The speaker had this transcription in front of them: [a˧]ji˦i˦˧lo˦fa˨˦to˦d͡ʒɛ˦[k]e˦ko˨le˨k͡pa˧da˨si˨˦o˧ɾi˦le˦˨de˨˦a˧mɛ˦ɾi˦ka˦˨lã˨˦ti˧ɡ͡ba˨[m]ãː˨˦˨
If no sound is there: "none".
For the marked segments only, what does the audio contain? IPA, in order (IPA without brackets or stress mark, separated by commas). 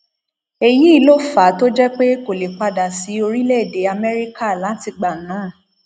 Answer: e˧, k͡p, n